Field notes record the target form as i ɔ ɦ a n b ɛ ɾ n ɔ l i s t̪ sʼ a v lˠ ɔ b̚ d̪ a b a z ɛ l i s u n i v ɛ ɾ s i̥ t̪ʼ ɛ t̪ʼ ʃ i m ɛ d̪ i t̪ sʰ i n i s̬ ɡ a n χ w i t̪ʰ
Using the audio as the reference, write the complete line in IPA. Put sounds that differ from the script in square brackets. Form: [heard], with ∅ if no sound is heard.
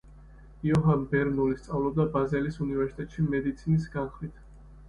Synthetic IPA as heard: i ɔ ɦ a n b ɛ ɾ n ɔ l i s t̪ sʼ a v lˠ ɔ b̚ d̪ a b a z ɛ l i s u n i v ɛ ɾ s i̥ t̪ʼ ɛ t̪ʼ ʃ i m ɛ d̪ i t̪ sʰ i n i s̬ ɡ a n χ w i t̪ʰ